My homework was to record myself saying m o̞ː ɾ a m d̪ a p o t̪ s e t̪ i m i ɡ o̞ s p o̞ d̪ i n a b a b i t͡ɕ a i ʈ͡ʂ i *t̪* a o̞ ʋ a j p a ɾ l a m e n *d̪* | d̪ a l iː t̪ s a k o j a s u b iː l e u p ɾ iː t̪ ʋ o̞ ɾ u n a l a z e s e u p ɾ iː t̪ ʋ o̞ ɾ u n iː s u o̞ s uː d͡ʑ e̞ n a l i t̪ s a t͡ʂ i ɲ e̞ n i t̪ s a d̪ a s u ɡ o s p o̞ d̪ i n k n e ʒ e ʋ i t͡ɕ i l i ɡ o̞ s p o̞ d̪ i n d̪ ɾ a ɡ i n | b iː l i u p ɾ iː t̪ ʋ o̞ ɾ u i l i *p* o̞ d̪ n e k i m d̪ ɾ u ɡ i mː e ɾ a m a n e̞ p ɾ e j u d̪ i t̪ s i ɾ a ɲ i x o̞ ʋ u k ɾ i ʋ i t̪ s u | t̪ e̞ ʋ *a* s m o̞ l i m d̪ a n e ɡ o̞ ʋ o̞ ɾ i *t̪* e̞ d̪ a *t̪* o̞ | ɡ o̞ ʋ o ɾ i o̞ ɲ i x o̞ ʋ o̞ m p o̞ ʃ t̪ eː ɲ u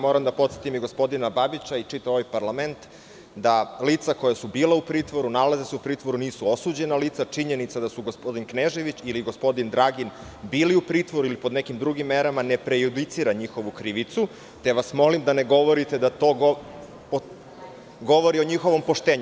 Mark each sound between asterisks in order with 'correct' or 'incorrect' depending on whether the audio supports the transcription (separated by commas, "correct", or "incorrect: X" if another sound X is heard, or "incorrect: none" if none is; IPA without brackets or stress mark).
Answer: correct, incorrect: t̪, correct, correct, correct, correct